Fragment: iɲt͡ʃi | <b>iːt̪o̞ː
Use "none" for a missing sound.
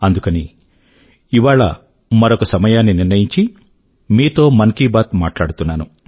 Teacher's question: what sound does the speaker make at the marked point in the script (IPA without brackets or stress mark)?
m